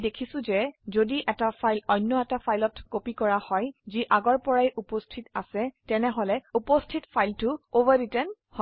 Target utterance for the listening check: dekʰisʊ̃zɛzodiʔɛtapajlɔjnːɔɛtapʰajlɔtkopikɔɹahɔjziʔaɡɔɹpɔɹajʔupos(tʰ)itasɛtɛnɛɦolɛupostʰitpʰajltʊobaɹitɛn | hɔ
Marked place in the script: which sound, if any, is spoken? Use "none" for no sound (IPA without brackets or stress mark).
tʰ